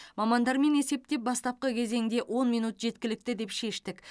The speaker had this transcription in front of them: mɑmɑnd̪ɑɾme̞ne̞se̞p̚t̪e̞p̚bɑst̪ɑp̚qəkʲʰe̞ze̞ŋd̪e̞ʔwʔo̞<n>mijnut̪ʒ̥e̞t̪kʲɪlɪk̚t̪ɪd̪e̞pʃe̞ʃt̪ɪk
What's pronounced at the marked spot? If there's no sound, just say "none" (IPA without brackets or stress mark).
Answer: n